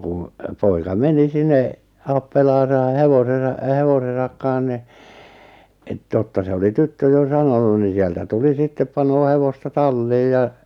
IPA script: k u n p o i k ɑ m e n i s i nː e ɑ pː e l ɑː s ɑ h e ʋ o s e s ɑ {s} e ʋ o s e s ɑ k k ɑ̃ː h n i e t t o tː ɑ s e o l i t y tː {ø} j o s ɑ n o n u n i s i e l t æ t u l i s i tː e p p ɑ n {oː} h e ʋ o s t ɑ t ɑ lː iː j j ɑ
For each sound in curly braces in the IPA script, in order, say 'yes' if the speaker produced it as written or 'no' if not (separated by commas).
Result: no, yes, yes